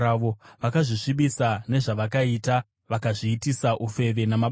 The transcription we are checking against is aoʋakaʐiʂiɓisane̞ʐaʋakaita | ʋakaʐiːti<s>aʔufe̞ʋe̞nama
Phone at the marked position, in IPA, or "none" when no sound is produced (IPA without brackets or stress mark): s